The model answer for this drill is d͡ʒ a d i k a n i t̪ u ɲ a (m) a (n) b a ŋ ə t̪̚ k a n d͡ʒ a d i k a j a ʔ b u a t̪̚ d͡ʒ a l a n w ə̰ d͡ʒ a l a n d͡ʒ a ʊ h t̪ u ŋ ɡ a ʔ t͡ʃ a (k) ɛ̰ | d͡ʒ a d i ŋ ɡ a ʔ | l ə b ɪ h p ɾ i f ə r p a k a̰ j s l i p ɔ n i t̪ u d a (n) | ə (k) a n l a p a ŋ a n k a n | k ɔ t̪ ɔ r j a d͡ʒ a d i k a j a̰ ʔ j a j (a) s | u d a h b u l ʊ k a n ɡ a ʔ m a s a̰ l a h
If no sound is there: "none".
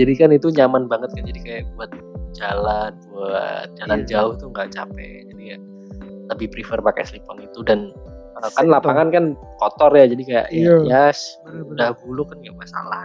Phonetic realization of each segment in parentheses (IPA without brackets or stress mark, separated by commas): m, n, p, n, k, a